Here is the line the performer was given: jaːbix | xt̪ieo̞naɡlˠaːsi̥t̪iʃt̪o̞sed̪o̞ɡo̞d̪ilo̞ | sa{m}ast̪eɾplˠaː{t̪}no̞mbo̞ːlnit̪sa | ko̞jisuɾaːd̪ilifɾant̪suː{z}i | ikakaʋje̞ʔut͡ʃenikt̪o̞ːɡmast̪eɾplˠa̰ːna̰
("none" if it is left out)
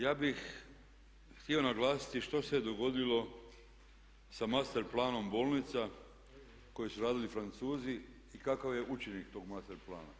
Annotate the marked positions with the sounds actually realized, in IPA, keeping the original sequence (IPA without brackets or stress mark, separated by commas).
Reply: m, none, z